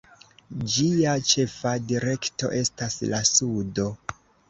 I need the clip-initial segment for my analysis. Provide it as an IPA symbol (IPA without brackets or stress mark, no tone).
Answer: d͡ʒ